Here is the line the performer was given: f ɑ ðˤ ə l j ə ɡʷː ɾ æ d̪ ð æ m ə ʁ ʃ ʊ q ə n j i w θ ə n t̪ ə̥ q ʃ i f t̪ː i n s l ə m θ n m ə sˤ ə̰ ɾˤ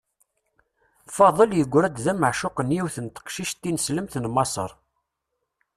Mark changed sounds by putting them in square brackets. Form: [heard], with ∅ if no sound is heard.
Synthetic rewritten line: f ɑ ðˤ ə l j ə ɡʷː ɾ æ d̪ ð æ m ə [ʕ] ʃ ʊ q ə n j i w θ ə n t̪ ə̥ q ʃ i [ʃ] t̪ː i n s l ə m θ n m [ɑ] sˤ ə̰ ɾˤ